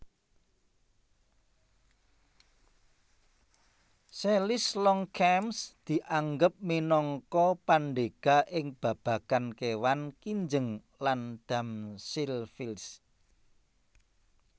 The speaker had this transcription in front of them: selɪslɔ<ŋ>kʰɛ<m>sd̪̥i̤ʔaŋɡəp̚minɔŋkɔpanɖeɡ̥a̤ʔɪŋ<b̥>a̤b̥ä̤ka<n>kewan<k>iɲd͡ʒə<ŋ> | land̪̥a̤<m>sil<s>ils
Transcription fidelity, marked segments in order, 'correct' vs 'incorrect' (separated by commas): correct, correct, correct, correct, correct, correct, correct, incorrect